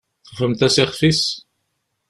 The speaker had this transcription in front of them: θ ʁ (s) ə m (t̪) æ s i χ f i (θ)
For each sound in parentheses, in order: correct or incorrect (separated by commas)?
incorrect, correct, incorrect